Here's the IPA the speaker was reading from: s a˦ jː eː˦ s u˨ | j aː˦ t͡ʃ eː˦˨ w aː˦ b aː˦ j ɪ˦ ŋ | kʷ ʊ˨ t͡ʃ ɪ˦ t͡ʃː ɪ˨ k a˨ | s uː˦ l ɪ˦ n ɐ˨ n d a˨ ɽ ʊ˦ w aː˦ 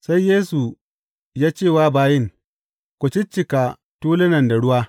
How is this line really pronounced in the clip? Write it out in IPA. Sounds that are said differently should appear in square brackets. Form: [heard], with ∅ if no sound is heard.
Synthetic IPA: s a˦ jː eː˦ s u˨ | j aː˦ t͡ʃ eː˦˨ w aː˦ b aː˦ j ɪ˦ ŋ | kʷ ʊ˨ t͡ʃ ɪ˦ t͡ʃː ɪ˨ k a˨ | [t] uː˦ l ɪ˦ n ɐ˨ n d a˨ ɽ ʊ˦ w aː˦

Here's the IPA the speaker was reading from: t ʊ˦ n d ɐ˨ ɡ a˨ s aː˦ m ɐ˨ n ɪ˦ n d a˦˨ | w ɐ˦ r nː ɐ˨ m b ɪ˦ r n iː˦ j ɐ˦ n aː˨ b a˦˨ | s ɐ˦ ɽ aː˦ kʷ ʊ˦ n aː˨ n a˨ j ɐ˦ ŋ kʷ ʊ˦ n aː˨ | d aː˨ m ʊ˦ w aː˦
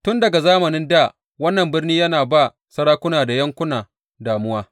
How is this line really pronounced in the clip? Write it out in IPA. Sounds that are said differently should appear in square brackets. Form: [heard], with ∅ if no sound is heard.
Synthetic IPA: t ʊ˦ n d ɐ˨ ɡ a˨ [z] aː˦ m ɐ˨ n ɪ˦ n d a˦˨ | w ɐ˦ [∅] nː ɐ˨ m b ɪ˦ r n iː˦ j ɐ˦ n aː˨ b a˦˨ | s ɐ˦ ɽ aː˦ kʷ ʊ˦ n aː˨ [d] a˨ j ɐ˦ ŋ kʷ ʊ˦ n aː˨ | d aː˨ m ʊ˦ w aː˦

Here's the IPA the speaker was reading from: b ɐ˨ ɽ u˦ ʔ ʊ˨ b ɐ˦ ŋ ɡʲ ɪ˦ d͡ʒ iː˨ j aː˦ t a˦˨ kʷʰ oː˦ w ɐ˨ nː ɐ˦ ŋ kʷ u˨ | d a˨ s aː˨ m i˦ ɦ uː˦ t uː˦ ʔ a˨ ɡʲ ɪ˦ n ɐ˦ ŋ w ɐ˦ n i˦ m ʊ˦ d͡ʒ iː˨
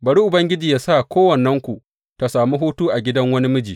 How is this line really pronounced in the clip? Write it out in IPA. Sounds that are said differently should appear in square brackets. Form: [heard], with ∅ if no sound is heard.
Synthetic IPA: b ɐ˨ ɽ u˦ ʔ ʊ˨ b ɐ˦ ŋ ɡʲ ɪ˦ d͡ʒ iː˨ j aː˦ [s] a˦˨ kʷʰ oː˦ w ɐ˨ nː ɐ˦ ŋ kʷ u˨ | [t] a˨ s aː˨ m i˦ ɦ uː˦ t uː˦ ʔ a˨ ɡʲ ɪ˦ [d] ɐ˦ ŋ w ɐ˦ n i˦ m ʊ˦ d͡ʒ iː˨

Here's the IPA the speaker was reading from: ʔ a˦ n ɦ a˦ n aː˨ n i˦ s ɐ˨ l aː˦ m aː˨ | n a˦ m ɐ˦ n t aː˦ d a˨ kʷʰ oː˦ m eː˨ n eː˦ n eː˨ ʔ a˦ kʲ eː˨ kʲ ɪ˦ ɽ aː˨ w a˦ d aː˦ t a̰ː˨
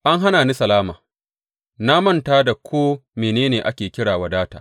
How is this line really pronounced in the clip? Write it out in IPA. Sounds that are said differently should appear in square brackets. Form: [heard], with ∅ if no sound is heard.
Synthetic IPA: ʔ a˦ [ŋ] ɦ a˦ n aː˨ n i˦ s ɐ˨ l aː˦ m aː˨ | n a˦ m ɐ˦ n t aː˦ d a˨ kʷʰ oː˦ m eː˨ n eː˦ n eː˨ ʔ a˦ kʲ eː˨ kʲ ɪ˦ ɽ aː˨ w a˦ d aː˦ t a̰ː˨

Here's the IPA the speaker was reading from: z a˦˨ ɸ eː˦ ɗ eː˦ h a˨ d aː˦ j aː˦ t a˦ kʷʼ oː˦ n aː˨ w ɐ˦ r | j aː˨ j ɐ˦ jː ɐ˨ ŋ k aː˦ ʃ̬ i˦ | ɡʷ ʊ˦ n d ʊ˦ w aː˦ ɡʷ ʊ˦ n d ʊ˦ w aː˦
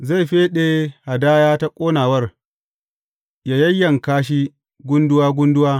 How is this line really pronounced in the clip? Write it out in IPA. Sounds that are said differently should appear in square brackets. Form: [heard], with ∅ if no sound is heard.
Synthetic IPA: z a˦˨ ɸ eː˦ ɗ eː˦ h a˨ d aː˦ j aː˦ t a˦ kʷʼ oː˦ n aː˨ w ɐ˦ r | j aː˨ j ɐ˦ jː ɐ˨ ŋ k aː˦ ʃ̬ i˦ | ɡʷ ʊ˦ n d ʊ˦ w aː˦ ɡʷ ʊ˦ n d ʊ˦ w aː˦

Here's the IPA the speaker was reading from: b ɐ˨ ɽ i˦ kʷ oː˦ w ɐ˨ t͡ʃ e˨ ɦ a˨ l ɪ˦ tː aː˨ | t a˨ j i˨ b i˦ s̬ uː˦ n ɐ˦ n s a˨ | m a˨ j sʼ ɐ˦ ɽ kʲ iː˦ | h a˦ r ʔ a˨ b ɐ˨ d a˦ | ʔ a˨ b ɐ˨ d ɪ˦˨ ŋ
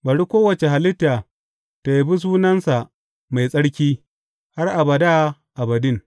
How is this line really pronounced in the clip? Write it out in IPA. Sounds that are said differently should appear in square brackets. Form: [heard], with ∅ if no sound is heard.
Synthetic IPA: b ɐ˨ ɽ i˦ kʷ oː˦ w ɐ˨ t͡ʃ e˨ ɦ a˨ l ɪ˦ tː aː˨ | t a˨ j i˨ b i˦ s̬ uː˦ n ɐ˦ n s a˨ | m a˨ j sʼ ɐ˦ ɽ kʲ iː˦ | h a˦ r ʔ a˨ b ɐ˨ d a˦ | ʔ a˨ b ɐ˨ d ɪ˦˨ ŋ

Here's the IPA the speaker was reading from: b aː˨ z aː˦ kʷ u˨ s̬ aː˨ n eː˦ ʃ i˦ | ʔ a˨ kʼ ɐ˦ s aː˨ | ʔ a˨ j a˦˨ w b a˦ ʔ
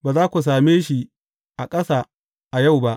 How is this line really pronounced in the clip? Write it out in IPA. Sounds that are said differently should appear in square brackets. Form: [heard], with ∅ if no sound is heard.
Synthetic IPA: b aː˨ z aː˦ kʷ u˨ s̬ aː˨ [m] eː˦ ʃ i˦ | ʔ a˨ kʼ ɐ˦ s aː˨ | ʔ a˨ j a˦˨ w b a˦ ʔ

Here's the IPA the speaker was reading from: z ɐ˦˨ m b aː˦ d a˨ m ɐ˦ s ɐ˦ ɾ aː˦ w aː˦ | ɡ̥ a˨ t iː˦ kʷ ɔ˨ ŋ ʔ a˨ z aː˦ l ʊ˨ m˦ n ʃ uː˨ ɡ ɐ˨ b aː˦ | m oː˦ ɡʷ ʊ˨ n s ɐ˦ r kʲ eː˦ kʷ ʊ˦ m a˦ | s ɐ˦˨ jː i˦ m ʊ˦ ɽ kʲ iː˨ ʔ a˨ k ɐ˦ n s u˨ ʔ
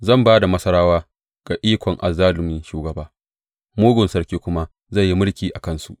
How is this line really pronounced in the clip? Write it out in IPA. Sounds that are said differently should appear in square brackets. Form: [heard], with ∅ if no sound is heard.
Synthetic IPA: z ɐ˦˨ m b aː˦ d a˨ m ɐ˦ s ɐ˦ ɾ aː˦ w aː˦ | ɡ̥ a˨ [ʔ] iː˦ kʷ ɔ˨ ŋ ʔ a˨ z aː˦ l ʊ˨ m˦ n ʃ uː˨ ɡ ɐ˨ b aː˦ | m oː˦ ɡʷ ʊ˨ n s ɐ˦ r kʲ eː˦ kʷ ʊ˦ m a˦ | [z] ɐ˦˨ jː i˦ m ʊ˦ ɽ kʲ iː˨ ʔ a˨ k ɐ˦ n s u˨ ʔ

